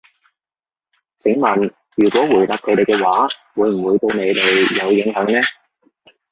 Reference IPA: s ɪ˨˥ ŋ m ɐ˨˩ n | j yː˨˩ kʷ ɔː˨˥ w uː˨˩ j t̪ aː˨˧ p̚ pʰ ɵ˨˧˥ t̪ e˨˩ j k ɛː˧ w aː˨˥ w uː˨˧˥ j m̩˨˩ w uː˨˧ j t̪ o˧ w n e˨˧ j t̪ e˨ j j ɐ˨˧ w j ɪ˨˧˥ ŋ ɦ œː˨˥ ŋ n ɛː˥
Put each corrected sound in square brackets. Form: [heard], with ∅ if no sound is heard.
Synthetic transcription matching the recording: s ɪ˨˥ ŋ m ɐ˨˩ n | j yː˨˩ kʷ ɔː˨˥ w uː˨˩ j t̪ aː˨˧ p̚ [kʰ] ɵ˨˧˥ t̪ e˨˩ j k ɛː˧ w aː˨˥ w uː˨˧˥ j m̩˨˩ w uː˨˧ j t̪ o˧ w n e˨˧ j t̪ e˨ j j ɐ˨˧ w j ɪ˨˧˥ ŋ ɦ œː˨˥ ŋ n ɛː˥